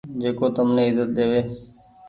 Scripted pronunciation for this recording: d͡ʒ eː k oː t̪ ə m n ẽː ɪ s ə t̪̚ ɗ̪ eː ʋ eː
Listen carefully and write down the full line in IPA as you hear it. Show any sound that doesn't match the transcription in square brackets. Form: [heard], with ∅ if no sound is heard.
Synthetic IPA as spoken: d͡ʒ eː k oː t̪ ə m n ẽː ɪ [z] ə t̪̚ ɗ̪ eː ʋ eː